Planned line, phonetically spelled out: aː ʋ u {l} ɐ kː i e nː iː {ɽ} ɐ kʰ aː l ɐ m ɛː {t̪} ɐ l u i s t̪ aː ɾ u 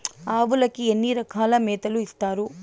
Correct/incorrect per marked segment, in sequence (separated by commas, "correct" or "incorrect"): correct, incorrect, correct